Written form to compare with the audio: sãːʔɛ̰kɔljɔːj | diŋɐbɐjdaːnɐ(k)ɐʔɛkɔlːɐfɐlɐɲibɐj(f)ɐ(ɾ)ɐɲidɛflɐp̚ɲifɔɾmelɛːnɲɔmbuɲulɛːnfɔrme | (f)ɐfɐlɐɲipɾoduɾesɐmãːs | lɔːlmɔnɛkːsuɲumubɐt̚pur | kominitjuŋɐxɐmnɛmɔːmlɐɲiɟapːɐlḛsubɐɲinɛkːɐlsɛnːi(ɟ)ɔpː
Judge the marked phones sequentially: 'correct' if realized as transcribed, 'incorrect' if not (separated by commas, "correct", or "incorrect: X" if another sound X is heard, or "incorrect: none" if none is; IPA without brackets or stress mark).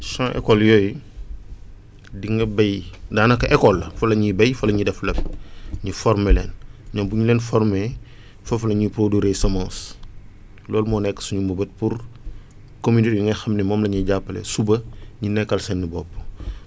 correct, correct, incorrect: l, correct, incorrect: b